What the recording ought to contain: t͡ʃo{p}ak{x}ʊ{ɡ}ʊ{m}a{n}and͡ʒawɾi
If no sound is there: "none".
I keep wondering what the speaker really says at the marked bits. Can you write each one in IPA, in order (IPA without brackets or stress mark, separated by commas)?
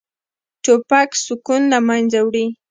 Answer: p, s, k, n, m